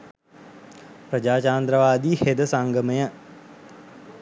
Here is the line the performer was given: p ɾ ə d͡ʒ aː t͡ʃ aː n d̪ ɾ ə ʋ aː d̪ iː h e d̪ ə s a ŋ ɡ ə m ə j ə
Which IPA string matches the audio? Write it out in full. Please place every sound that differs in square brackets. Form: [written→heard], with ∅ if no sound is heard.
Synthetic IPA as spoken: p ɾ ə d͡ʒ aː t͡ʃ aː n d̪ ɾ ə ʋ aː d̪ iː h e d̪ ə s a ŋ ɡ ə m ə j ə